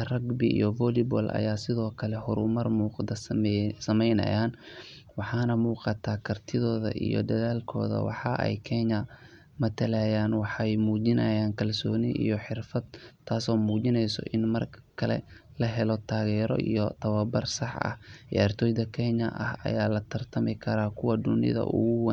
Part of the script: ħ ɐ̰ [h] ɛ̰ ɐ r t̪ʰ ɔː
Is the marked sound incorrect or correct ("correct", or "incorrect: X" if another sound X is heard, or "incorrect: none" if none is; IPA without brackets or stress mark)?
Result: correct